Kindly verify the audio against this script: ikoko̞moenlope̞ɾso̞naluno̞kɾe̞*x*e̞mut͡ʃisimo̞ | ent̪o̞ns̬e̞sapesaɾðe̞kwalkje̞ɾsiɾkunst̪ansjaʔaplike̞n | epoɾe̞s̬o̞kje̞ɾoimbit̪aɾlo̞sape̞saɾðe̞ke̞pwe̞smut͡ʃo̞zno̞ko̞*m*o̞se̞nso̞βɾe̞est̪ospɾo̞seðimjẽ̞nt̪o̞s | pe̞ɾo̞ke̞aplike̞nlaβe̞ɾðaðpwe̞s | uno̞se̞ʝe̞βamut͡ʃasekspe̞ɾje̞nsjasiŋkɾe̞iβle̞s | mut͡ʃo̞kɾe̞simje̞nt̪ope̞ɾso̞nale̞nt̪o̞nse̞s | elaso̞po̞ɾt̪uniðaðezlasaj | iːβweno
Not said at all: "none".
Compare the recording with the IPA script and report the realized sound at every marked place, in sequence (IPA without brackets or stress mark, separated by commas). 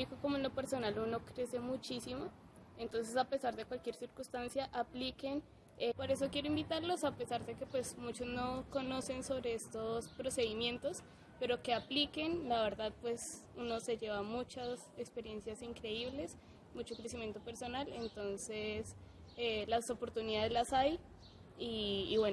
s, n